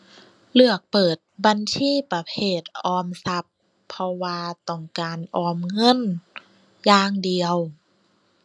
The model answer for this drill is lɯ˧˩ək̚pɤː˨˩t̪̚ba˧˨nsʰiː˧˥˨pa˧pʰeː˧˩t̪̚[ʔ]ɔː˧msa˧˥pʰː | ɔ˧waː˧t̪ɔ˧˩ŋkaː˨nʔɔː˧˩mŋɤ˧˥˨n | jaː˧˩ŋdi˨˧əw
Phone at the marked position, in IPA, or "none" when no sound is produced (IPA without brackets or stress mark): ʔ